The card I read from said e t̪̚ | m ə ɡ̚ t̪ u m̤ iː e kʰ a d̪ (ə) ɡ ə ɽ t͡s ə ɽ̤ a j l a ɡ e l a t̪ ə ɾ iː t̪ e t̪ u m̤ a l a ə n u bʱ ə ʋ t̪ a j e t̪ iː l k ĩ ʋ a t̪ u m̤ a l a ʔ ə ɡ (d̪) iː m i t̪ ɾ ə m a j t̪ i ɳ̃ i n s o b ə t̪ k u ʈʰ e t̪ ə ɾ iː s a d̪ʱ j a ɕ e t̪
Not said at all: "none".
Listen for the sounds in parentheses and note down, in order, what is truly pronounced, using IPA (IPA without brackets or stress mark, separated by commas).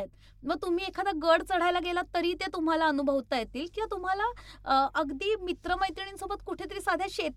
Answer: a, d̪